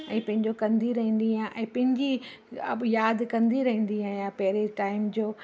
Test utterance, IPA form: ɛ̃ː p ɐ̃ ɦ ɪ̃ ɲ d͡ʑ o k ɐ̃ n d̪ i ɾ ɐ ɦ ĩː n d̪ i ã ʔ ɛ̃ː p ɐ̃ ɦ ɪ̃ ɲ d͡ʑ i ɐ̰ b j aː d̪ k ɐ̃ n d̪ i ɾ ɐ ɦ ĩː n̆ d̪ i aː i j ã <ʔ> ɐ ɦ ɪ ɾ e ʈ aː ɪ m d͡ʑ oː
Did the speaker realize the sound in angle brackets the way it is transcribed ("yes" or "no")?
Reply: no